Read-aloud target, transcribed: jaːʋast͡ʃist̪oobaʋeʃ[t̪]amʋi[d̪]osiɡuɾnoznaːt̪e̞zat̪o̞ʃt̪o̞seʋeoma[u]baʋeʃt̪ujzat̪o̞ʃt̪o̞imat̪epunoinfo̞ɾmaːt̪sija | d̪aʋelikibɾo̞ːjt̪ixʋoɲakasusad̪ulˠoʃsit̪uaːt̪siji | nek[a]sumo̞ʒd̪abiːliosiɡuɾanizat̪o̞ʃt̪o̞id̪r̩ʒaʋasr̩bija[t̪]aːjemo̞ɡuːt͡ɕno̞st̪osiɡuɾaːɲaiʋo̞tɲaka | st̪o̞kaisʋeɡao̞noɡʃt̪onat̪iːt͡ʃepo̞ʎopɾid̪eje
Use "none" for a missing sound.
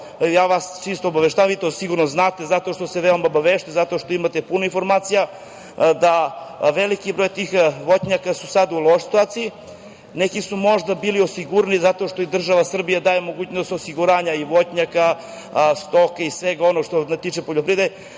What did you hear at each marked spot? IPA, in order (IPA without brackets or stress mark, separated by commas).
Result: t̪, t̪, o, i, d̪